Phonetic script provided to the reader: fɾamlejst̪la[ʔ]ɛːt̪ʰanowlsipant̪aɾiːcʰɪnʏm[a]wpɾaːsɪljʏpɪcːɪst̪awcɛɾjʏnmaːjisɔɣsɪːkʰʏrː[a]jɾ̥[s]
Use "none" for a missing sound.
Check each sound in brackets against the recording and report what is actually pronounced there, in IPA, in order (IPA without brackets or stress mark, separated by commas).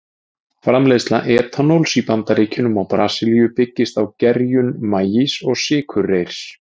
ʔ, a, e, s